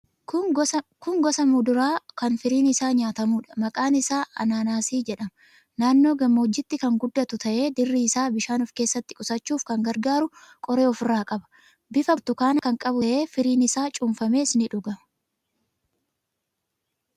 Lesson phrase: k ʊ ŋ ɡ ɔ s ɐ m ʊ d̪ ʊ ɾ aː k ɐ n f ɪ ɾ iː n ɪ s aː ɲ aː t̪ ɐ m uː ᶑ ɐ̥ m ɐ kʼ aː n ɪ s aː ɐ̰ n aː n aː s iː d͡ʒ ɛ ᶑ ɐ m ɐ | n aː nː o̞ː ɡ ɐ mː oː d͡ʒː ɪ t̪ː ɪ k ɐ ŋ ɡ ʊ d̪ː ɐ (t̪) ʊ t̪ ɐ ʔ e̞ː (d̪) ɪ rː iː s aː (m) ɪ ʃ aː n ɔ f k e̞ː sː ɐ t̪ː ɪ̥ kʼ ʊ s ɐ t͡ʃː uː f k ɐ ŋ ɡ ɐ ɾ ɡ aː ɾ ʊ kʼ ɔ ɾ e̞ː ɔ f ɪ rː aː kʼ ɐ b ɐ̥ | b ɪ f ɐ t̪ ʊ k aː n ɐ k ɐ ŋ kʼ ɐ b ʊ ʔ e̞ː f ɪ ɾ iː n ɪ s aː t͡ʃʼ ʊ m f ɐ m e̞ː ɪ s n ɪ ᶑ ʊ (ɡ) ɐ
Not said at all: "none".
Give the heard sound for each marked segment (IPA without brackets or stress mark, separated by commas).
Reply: t̪, d̪, b, ɡ